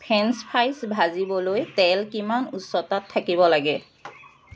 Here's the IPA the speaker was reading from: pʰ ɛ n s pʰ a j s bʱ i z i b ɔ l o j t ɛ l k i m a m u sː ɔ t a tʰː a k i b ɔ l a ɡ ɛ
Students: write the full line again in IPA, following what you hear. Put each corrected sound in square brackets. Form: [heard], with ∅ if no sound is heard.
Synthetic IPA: pʰ ɛ n s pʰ a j s bʱ [a] z i b ɔ l o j t ɛ l k i m a [n] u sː ɔ t a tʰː a k i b ɔ l a ɡ ɛ